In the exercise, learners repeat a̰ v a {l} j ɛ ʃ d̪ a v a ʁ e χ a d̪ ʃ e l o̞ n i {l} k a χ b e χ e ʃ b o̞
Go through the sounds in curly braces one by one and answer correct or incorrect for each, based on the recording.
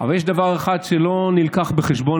correct, correct

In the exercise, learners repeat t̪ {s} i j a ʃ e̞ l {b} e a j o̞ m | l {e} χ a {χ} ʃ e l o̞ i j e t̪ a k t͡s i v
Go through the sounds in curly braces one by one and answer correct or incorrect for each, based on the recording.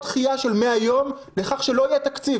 incorrect: χ, incorrect: m, correct, correct

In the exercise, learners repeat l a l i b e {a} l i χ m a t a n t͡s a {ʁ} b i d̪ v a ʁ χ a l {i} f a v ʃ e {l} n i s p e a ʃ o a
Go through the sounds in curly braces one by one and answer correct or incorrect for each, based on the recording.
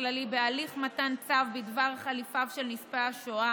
correct, incorrect: v, correct, correct

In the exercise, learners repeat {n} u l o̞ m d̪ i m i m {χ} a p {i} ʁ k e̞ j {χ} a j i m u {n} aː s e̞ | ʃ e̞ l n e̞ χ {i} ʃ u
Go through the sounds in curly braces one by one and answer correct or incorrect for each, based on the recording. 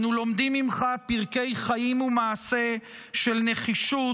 correct, correct, correct, correct, incorrect: m, correct

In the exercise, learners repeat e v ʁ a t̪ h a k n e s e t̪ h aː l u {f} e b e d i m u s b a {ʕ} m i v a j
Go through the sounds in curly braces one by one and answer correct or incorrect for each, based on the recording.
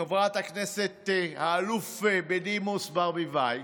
correct, incorrect: ʁ

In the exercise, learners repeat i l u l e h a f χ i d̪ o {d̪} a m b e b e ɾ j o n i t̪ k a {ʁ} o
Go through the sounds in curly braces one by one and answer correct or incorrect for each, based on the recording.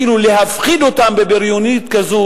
incorrect: t̪, incorrect: z

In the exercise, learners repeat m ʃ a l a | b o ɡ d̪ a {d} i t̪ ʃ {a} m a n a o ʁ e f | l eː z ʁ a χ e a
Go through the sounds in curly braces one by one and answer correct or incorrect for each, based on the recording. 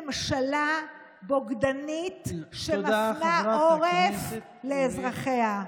incorrect: n, incorrect: e

